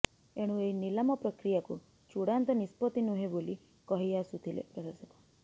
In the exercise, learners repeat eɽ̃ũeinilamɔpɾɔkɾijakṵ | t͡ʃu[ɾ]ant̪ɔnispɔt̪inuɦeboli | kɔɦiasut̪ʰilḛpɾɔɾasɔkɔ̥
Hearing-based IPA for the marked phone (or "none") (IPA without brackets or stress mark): ɽ